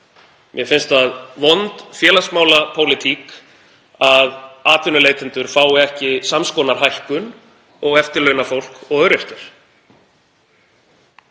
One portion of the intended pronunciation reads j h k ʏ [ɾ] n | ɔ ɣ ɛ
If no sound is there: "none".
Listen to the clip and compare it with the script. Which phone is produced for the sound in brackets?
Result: none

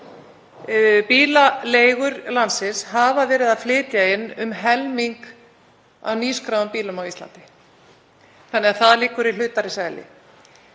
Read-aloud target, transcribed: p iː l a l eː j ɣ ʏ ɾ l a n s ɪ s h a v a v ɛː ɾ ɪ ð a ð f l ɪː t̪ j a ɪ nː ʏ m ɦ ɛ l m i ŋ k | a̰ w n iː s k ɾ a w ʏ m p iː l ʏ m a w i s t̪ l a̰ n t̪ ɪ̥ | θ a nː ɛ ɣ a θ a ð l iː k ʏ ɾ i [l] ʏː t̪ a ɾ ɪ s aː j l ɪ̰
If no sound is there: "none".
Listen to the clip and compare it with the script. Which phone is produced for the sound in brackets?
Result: l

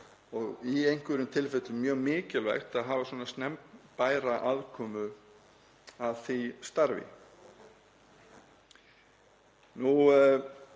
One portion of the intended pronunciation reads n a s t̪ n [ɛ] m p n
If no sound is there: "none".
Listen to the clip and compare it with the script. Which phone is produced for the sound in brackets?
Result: ɛ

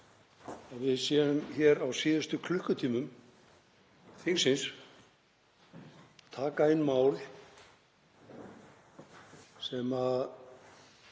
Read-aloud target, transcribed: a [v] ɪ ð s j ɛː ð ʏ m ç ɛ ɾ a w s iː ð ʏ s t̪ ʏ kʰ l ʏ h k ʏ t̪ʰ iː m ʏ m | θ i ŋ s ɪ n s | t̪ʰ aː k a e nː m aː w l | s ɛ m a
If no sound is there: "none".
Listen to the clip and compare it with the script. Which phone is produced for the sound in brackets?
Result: v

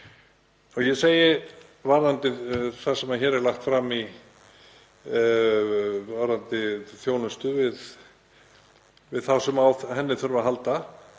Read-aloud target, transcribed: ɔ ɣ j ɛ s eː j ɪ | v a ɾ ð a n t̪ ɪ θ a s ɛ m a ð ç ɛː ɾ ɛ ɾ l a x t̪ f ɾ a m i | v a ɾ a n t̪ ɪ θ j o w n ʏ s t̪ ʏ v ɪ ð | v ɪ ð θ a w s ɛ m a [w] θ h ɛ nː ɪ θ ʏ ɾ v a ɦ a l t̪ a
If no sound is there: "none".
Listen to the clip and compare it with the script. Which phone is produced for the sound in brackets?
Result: w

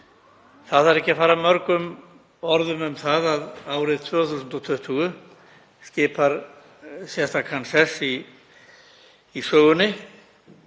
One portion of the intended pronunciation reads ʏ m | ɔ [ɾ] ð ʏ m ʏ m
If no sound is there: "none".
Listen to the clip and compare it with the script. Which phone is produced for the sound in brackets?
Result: ɾ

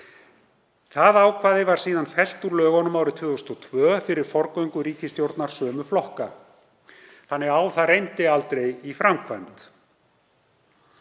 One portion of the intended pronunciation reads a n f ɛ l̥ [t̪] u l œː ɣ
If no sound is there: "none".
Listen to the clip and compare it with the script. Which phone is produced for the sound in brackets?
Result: t̪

